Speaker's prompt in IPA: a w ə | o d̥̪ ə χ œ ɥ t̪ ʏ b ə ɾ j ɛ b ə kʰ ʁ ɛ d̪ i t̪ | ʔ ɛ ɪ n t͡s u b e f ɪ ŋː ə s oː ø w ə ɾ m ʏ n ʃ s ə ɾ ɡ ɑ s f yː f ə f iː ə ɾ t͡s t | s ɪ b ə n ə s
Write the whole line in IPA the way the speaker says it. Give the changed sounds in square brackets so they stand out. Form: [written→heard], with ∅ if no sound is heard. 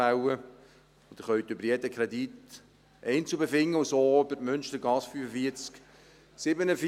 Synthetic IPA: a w ə | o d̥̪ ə χ œ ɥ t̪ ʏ b ə ɾ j ɛ [b→d] ə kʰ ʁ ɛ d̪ i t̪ | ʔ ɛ ɪ n t͡s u b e f ɪ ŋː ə s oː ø [w→b] ə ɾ m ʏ n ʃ [s→t] ə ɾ ɡ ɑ s f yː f ə f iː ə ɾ t͡s [t→k] | s ɪ b ə n ə [s→f]

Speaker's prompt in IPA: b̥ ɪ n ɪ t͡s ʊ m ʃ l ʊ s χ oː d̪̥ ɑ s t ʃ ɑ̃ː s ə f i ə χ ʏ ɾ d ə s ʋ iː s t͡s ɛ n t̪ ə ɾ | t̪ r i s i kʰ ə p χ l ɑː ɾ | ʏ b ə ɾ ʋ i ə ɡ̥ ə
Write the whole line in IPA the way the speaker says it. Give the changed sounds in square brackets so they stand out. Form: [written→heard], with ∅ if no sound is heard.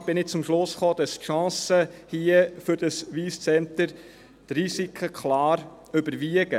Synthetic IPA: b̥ ɪ n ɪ t͡s ʊ m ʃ l ʊ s χ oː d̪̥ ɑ s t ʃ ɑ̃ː s ə [f→h] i ə [χ→f] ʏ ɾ d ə s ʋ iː s t͡s ɛ n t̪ ə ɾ | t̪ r i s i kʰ ə [p→k] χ l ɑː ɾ | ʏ b ə ɾ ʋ i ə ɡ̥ ə

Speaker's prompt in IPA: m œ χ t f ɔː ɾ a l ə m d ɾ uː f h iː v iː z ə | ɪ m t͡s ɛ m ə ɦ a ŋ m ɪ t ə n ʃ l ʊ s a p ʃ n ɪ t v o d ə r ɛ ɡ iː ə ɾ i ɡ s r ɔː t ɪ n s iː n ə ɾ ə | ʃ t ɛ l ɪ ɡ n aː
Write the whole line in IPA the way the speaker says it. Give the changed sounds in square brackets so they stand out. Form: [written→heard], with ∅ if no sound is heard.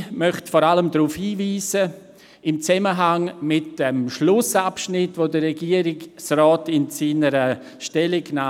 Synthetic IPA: m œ χ t f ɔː ɾ a l ə m d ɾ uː f h iː v iː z ə | ɪ m t͡s ɛ m ə ɦ a ŋ m ɪ t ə [n→m] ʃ l ʊ s a p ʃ n ɪ t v o d ə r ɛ ɡ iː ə ɾ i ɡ s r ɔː t ɪ n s iː n ə ɾ ə | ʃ t ɛ l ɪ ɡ n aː

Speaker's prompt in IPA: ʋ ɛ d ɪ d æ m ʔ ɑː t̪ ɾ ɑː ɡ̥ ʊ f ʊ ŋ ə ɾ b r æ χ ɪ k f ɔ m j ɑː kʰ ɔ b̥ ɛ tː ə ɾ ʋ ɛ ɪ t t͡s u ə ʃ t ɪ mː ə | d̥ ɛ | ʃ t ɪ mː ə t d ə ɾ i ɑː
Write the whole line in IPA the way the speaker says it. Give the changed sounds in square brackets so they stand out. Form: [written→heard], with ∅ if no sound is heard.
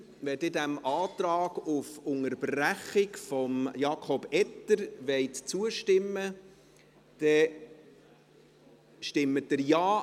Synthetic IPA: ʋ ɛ d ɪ d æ m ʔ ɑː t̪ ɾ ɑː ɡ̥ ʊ f ʊ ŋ ə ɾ b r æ χ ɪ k f ɔ m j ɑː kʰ ɔ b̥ ɛ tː ə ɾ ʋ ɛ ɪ t t͡s u ə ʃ t ɪ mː ə | d̥ ɛ | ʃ t ɪ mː ə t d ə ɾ [i→j] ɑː

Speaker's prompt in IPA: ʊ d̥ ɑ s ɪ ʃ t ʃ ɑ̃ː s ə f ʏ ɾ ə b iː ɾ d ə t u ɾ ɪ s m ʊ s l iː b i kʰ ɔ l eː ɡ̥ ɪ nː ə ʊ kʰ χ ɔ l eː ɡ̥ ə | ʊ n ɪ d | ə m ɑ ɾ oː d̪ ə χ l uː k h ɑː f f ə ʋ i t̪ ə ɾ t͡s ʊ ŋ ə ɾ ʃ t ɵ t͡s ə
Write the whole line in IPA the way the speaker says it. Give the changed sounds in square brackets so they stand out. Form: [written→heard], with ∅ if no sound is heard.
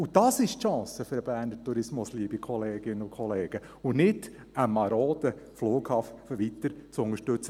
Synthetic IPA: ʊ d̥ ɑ s ɪ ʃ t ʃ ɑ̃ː s ə f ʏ ɾ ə b [iː→æː] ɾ [d→n] ə t u ɾ ɪ s m ʊ s l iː b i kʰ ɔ l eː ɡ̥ ɪ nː ə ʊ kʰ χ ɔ l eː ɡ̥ ə | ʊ n ɪ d | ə m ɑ ɾ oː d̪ ə [χ→f] l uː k h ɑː f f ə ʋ i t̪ ə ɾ t͡s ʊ ŋ ə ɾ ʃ t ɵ t͡s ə

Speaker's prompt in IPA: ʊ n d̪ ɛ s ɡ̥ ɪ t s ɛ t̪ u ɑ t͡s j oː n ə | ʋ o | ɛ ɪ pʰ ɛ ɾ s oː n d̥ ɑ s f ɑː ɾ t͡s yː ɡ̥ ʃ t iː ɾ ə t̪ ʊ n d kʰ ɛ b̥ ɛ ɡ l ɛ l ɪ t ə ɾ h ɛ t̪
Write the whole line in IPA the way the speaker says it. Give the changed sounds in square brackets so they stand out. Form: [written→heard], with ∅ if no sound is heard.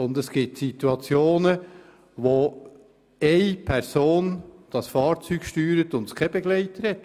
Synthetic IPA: ʊ n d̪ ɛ s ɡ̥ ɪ t s [ɛ→i] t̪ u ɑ t͡s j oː n ə | ʋ o | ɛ ɪ pʰ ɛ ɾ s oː n d̥ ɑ s f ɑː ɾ t͡s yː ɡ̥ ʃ t [iː→yː] ɾ ə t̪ ʊ n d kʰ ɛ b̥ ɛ ɡ l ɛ [l→∅] ɪ t ə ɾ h ɛ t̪

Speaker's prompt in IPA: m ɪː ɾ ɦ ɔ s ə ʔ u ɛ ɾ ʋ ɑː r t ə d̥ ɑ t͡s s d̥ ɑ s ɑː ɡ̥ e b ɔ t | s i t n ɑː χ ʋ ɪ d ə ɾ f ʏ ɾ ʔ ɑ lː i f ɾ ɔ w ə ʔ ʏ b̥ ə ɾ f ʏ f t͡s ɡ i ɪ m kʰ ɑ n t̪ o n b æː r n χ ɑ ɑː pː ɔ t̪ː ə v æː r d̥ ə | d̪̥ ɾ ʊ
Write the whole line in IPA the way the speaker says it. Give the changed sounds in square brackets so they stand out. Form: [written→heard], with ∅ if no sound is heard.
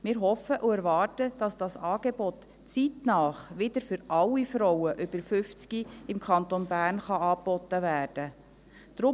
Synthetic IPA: m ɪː ɾ ɦ ɔ [s→f] ə ʔ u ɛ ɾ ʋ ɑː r t ə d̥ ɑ [t͡s→∅] s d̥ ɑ s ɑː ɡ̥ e b ɔ t | [s→t͡s] i t n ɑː χ ʋ ɪ d ə ɾ f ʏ ɾ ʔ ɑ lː i f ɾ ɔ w ə ʔ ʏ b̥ ə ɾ f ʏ f t͡s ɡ i ɪ m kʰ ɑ n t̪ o n b æː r n χ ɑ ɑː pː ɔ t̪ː ə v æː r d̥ ə | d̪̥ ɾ ʊ

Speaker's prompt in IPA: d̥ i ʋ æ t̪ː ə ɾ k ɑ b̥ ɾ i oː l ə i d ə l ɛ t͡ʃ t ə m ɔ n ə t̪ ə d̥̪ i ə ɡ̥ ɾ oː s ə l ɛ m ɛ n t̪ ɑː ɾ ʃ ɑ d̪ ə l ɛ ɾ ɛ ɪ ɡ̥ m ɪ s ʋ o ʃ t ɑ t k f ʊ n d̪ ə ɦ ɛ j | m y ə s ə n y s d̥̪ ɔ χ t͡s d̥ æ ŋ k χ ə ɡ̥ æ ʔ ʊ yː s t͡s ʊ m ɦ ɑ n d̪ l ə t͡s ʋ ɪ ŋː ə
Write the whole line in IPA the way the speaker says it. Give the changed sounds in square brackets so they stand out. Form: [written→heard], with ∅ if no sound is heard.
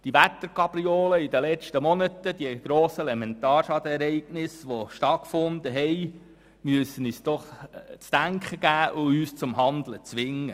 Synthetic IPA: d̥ i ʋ æ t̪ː ə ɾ k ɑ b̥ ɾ i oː l ə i d ə l ɛ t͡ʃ t ə m ɔ n ə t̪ ə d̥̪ i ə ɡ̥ ɾ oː s ə l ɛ m ɛ n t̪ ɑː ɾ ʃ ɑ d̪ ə [l→∅] ɛ ɾ ɛ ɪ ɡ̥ [m→n] ɪ s ʋ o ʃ t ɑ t k f ʊ n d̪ ə ɦ ɛ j | m y ə s ə n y s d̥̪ ɔ χ t͡s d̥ æ ŋ k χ ə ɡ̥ [æ→æː] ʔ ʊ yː s t͡s ʊ m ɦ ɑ n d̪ l ə t͡s ʋ ɪ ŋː ə

